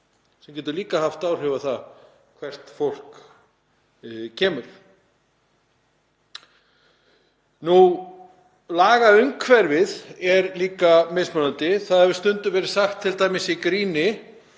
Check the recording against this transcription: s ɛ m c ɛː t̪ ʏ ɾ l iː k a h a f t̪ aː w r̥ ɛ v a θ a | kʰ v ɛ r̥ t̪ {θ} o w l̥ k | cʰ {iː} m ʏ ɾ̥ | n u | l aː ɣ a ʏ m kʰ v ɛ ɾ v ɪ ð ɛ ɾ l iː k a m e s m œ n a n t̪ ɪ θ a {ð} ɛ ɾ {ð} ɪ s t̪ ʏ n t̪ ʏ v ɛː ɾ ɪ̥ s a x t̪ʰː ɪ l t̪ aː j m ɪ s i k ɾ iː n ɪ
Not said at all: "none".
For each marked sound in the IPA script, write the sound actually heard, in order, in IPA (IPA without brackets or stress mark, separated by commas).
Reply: f, ɛː, ð, v